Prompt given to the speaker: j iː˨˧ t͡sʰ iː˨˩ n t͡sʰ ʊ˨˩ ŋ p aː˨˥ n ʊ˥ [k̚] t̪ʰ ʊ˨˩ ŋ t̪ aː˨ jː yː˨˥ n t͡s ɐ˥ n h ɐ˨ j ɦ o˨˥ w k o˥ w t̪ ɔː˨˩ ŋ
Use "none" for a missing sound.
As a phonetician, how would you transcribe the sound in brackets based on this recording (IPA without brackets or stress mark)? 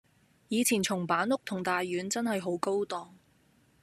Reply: k̚